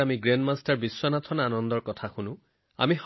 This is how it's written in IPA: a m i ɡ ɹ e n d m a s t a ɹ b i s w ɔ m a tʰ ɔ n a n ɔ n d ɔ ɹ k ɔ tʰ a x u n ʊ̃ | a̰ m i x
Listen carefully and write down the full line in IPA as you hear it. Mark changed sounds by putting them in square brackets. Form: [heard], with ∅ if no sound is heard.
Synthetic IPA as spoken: a m i ɡ ɹ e n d m a s t a ɹ b i s w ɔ [n] a tʰ ɔ n a n ɔ n d ɔ ɹ k ɔ tʰ a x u n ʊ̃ | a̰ m i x

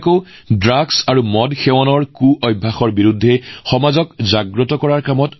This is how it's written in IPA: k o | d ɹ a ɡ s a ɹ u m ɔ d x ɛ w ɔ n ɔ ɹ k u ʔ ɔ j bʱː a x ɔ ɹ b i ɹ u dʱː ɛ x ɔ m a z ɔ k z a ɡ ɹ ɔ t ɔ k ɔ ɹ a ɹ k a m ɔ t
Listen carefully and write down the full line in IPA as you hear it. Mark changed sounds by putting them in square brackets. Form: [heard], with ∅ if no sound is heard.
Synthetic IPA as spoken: k o | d ɹ a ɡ s a ɹ u m ɔ d x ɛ w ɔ n ɔ ɹ k u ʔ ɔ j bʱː a x ɔ ɹ b i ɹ u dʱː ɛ x ɔ m a z ɔ k z a ɡ ɹ ɔ t ɔ k ɔ ɹ a ɹ k a m ɔ t

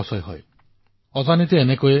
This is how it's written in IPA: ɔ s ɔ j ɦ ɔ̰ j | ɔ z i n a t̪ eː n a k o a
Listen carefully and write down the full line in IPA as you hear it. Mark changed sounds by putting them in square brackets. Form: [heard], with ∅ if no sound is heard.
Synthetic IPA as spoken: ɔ s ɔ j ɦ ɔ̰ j | ɔ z [a] n [i] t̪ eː n [e] k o [e]

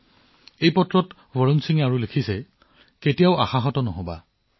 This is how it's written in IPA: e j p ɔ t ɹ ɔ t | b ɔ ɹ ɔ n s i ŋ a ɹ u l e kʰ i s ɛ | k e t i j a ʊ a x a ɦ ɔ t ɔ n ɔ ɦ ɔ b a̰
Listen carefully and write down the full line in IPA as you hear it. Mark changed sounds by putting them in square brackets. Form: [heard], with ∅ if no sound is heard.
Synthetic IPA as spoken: e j p ɔ t ɹ ɔ t | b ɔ ɹ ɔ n s i ŋ a ɹ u l e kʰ i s ɛ | k e t i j a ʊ a x a ɦ ɔ t ɔ n ɔ ɦ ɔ b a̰

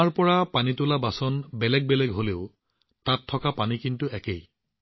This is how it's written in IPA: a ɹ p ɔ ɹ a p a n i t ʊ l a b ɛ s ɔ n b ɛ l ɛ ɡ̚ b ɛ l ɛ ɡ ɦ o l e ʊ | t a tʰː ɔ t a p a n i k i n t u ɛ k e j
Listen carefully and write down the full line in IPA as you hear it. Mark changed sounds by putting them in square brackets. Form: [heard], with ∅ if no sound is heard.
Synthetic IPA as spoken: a ɹ p ɔ ɹ a p a n i t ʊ l a b [a] s ɔ n b ɛ l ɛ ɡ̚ b ɛ l ɛ ɡ ɦ o l e ʊ | t a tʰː ɔ [k] a p a n i k i n t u ɛ k e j

